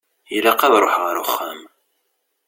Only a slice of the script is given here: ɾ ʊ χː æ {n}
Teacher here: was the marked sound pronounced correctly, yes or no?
no